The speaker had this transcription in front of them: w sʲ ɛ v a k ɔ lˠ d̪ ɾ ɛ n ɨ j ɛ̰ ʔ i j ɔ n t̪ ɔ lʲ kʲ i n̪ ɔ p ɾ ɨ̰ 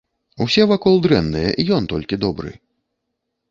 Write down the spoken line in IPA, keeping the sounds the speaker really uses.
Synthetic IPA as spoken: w sʲ ɛ v a k ɔ lˠ d̪ ɾ ɛ nː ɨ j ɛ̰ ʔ i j ɔ n t̪ ɔ lʲ kʲ i d̪ ɔ b ɾ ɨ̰

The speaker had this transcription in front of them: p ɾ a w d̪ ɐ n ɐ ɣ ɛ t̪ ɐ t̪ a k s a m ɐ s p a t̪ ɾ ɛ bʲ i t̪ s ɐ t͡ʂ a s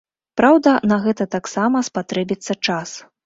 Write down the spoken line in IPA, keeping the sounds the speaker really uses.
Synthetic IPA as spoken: p ɾ a w d̪ ɐ n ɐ ɣ ɛ t̪ ɐ t̪ a k s a m ɐ s p a t̪ ɾ ɛ bʲ i t̪ sː ɐ t͡ʂ a s

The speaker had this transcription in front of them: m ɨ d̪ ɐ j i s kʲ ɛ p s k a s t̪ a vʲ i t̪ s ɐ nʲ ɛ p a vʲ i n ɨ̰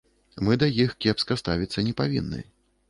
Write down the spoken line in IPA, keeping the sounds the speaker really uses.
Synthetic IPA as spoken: m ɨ d̪ ɐ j i x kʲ ɛ p s k ɐ s t̪ a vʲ i t̪ sː ɐ nʲ ɛ p a vʲ i nː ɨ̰

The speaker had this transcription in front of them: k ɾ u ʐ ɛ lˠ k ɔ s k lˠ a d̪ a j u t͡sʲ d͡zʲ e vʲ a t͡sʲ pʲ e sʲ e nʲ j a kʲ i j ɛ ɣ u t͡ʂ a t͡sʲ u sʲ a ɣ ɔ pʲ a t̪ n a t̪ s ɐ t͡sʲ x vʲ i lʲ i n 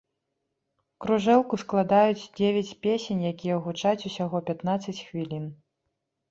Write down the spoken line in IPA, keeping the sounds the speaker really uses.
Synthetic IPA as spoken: k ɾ u ʐ ɛ lˠ k u s k lˠ a d̪ a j u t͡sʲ d͡zʲ e vʲ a t͡sʲ pʲ e sʲ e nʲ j a kʲ i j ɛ ɣ u t͡ʂ a t͡sʲ u sʲ a ɣ ɔ pʲ a t̪ n a t̪ s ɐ t͡sʲ x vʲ i lʲ i n

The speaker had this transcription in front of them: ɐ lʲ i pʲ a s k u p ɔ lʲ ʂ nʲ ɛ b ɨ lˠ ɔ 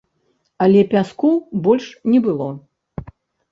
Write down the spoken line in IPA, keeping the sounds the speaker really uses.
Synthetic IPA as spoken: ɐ lʲ ɛ pʲ a s k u b ɔ lʲ ʂ nʲ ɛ b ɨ lˠ ɔ

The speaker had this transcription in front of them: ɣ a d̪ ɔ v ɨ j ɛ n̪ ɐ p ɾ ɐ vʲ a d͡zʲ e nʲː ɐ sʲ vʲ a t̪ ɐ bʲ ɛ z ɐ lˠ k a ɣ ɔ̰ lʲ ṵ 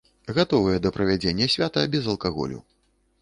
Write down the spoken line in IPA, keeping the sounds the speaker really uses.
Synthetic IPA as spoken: ɣ a t̪ ɔ v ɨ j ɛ d̪ ɐ p ɾ ɐ vʲ a d͡zʲ e nʲː ɐ sʲ vʲ a t̪ ɐ bʲ ɛ z ɐ lˠ k a ɣ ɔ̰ lʲ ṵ

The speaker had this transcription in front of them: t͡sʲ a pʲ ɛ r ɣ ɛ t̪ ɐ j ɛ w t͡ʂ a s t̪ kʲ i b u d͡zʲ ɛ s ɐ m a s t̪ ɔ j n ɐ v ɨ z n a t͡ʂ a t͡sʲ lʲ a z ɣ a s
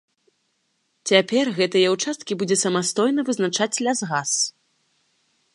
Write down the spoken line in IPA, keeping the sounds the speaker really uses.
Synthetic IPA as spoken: t͡sʲ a pʲ ɛ r ɣ ɛ t̪ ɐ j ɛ w t͡ʂ a s t̪ kʲ i b u d͡zʲ ɛ s ɐ m a s t̪ ɔ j n ɐ v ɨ z n a t͡ʂ a t͡sʲ lʲ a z ɣ a s

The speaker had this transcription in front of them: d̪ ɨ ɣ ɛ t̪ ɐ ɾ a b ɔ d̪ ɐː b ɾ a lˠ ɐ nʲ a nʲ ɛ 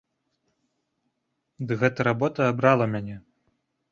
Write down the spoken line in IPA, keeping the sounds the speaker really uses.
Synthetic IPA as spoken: d̪ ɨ ɣ ɛ t̪ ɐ ɾ a b ɔ t̪ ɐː b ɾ a lˠ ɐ mʲ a nʲ ɛ

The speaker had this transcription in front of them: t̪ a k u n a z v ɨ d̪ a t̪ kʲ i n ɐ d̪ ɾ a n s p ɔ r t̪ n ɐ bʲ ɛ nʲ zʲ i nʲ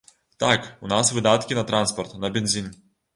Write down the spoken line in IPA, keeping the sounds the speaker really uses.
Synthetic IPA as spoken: t̪ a k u n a s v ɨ d̪ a t̪ kʲ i n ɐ t̪ ɾ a n s p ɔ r t̪ n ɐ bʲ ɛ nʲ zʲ i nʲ

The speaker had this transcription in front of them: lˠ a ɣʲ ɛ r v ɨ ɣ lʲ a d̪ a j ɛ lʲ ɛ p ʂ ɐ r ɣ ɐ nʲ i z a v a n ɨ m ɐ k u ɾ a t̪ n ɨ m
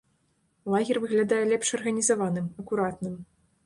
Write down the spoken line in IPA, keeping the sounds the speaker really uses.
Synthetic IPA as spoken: lˠ a ɣʲ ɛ r v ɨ ɣ lʲ a d̪ a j ɛ lʲ ɛ p ʂ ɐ r ɣ ɐ nʲ i z a v a n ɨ m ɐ k u ɾ a t̪ n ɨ m

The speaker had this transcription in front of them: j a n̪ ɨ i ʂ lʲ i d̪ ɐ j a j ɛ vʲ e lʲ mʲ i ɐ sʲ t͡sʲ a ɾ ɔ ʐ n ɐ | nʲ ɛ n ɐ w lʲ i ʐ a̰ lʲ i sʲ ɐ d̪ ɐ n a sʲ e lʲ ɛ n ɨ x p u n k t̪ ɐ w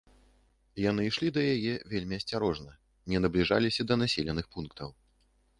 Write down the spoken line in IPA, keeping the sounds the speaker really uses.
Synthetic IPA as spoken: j a n̪ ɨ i ʂ lʲ i d̪ ɐ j a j ɛ vʲ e lʲ mʲ i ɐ sʲ t͡sʲ a ɾ ɔ ʐ n ɐ | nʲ ɛ n ɐ b lʲ i ʐ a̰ lʲ i sʲ ɐ d̪ ɐ n a sʲ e lʲ ɛ n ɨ x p u n k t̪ ɐ w

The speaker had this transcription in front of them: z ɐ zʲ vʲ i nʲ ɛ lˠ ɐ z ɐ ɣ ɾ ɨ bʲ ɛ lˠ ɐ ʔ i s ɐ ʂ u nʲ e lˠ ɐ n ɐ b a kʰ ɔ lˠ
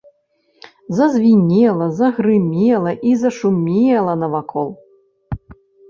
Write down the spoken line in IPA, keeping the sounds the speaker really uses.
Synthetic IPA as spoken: z ɐ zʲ vʲ i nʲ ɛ lˠ ɐ z ɐ ɣ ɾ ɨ mʲ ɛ lˠ ɐ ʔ i z ɐ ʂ u mʲ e lˠ ɐ n ɐ v a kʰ ɔ lˠ

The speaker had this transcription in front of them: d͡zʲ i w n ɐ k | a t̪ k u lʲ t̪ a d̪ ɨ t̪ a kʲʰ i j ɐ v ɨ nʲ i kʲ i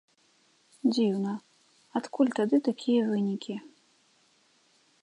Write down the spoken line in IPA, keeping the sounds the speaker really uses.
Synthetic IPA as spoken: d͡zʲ i w n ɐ | a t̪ k u lʲ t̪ a d̪ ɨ t̪ a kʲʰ i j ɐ v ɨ nʲ i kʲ i

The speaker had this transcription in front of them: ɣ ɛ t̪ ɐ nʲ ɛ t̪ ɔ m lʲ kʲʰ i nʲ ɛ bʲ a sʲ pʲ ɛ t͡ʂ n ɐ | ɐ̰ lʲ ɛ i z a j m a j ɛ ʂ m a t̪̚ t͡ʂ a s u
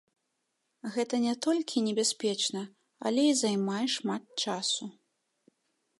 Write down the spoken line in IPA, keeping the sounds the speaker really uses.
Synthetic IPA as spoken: ɣ ɛ t̪ ɐ nʲ ɛ t̪ ɔ lʲ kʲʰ i nʲ ɛ bʲ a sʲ pʲ ɛ t͡ʂ n ɐ | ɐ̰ lʲ ɛ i z a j m a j ɛ ʂ m a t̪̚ t͡ʂ a s u

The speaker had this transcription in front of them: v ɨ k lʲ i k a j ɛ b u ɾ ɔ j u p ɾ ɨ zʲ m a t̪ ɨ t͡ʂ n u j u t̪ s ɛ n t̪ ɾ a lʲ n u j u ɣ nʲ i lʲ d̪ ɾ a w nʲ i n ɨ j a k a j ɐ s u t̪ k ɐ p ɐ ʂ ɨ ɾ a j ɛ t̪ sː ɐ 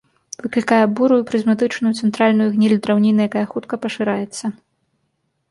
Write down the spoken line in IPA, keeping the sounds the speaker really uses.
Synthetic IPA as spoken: v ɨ k lʲ i k a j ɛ b u ɾ u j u p ɾ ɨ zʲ m a t̪ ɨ t͡ʂ n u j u t̪ s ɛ n t̪ ɾ a lʲ n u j u ɣ nʲ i lʲ d̪ ɾ a w nʲ i n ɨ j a k a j ɐ x u t̪ k ɐ p ɐ ʂ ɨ ɾ a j ɛ t̪ sː ɐ

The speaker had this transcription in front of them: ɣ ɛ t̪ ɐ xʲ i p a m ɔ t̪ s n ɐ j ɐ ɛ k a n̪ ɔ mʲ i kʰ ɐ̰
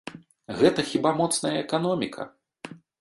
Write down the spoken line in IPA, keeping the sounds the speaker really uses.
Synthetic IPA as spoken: ɣ ɛ t̪ ɐ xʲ i b a m ɔ t̪ s n ɐ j ɐ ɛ k a n̪ ɔ mʲ i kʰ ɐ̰

